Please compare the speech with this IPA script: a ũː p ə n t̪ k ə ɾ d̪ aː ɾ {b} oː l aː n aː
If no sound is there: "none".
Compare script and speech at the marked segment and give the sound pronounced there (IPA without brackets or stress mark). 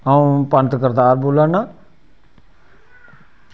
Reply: b